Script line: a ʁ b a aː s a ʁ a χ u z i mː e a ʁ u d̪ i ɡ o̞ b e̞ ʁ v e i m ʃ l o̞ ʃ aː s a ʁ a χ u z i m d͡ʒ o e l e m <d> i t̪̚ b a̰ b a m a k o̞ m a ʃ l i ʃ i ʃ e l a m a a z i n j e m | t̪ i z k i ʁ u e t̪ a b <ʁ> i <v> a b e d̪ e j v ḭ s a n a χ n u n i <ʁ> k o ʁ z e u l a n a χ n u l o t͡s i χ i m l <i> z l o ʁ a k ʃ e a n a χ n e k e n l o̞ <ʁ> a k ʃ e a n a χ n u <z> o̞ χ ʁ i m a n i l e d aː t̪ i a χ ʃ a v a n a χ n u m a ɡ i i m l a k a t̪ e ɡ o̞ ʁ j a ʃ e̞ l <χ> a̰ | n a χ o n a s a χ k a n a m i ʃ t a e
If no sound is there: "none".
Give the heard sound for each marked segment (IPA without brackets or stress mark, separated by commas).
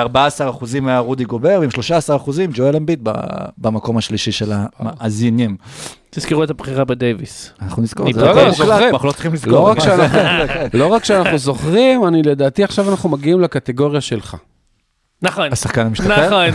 b, χ, ʁ, z, i, ʁ, z, χ